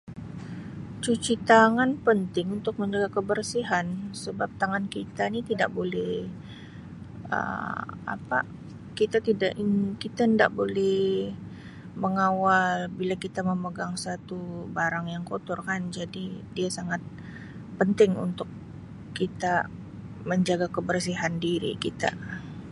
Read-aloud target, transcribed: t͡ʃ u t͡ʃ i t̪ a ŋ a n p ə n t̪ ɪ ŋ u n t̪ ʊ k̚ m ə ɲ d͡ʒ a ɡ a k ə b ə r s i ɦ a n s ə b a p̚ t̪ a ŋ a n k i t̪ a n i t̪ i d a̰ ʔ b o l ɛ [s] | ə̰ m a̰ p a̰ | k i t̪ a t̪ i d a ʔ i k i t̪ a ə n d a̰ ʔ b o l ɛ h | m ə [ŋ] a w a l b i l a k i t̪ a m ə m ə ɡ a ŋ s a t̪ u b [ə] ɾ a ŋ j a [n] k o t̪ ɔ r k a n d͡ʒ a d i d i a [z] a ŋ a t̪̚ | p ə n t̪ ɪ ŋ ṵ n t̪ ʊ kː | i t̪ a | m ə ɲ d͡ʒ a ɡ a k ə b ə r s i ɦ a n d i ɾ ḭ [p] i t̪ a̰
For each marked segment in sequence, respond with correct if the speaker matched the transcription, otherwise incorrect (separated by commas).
incorrect, correct, incorrect, incorrect, incorrect, incorrect